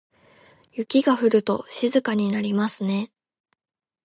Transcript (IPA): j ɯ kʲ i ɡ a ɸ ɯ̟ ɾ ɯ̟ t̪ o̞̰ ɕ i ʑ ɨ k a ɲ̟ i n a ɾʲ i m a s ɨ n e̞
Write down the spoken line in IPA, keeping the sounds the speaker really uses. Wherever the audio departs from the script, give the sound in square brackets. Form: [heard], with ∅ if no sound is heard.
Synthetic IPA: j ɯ kʲ i ɡ a ɸ ɯ̟ ɾ ɯ̟ t̪ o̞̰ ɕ i [z] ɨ k a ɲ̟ i n a ɾʲ i m a s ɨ n e̞